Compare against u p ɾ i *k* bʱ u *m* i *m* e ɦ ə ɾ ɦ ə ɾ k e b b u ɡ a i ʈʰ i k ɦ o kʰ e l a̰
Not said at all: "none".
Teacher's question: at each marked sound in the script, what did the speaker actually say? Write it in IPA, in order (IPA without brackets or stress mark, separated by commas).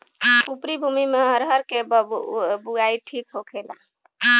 none, m, m